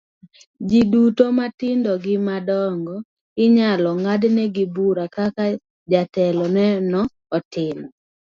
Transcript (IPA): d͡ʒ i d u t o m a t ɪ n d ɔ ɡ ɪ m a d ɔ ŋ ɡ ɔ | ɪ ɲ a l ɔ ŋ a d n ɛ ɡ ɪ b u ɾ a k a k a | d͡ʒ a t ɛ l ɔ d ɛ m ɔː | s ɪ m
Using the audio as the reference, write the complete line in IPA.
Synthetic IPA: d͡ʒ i d u t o m a t ɪ n d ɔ ɡ ɪ m a d ɔ ŋ ɡ ɔ | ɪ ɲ a l ɔ ŋ a d n ɛ ɡ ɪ b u ɾ a k a k a | d͡ʒ a t ɛ l ɔ n ɛ n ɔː | t ɪ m

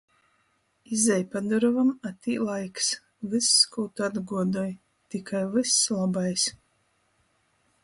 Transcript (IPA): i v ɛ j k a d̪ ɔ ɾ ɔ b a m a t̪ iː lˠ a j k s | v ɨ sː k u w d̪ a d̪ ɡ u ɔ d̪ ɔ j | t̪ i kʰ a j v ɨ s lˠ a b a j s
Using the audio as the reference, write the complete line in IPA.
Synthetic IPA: i z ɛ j p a d̪ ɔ ɾ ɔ v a m a t̪ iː lˠ a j k s | v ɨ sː k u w t̪ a d̪ ɡ u ɔ d̪ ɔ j | t̪ i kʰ a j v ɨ s lˠ a b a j s

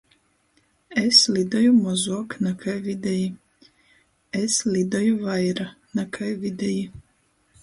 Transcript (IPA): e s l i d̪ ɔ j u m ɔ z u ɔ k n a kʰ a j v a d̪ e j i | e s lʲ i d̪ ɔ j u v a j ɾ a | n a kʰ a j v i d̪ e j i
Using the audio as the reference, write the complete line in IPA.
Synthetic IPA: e s l i d̪ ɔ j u m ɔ z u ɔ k n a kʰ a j v i d̪ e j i | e s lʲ i d̪ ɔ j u v a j ɾ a | n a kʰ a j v i d̪ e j i

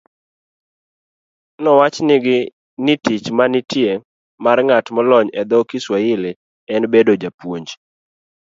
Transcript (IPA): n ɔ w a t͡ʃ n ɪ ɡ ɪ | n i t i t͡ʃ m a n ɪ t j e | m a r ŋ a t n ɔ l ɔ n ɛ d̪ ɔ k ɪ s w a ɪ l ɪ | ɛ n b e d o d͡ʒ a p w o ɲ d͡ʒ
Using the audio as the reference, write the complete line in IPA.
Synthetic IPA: n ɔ w a t͡ʃ n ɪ ɡ ɪ | n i t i t͡ʃ m a n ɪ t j e | m a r ŋ a t m ɔ l ɔ ɲ ɛ d̪ ɔ k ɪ s w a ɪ l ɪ | ɛ n b e d o d͡ʒ a p w o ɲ d͡ʒ

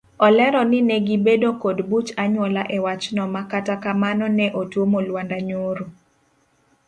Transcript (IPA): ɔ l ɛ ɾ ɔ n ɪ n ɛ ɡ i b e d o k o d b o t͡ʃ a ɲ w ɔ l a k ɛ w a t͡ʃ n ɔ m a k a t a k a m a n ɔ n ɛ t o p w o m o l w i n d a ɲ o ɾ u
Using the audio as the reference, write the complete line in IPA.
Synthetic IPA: ɔ l ɛ ɾ ɔ n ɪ n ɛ ɡ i b e d o k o d b u t͡ʃ a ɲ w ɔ l a ʔ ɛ w a t͡ʃ n ɔ m a k a t a k a m a n ɔ n ɛ ʔ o t w o m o l w a n d a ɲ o ɾ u

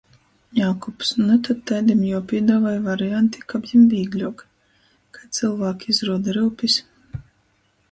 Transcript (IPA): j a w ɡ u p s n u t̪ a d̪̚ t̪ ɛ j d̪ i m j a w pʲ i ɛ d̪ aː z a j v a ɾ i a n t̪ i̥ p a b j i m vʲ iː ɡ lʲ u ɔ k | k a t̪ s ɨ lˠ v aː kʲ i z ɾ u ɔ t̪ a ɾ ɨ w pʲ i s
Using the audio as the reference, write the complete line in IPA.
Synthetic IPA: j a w k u p s n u t̪ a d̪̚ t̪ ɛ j d̪ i m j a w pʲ i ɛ d̪ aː v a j v a ɾ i a n t̪ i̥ k a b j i m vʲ iː ɡ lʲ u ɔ k | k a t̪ s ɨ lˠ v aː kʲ i z ɾ u ɔ d̪ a ɾ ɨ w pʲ i s

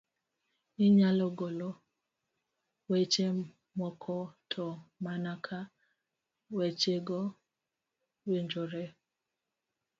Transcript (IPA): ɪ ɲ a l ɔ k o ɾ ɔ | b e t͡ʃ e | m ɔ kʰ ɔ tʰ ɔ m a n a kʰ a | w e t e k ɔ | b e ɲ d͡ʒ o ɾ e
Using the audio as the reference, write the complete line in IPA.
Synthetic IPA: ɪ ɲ a l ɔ ɡ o l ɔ | w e t͡ʃ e | m ɔ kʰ ɔ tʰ ɔ m a n a kʰ a | w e t͡ʃ e ɡ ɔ | w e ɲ d͡ʒ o ɾ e

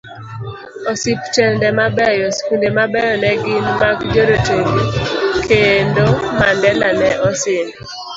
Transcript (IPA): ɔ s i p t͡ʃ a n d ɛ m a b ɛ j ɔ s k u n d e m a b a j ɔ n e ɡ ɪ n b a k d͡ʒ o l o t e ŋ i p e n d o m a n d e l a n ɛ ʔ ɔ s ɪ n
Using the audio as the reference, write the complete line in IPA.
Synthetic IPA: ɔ s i p t͡ʃ ɛ n d ɛ m a b ɛ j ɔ s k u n d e m a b ɛ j ɔ n ɛ ɡ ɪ n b a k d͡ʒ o ɾ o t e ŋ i k e n d o m a n d ɛ l a n ɛ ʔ ɔ s ɪ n

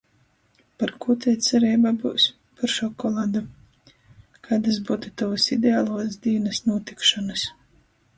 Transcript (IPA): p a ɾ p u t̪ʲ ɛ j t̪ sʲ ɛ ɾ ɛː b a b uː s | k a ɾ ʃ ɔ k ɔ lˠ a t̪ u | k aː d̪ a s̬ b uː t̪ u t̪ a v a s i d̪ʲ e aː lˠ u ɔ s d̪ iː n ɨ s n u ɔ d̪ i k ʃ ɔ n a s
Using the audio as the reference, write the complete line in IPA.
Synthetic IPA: p a ɾ k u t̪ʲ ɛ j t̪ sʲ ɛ ɾ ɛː b a b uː s | p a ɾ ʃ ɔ k ɔ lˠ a d̪ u | k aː d̪ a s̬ b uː t̪ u t̪ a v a s i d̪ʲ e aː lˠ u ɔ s d̪ iː n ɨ s n u ɔ t̪ i k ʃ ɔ n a s

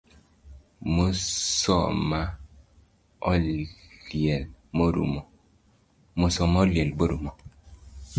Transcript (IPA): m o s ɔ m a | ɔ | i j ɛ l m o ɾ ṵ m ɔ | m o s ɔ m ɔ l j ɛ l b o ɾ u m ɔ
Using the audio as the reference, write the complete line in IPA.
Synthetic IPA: m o s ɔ m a | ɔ | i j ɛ l m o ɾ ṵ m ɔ | m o s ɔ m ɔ l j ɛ l b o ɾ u m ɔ

